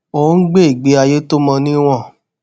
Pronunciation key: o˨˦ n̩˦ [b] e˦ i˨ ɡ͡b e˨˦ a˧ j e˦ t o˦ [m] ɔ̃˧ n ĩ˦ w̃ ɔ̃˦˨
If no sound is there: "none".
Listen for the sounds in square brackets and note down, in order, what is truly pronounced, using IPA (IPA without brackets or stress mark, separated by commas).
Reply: ɡ͡b, m